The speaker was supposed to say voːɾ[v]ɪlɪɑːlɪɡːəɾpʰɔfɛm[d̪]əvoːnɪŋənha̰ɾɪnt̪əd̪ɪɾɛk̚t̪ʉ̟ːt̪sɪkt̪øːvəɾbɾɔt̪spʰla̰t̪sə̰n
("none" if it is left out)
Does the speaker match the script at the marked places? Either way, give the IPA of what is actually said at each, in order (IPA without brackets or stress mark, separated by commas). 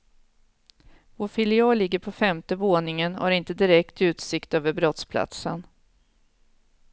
f, t̪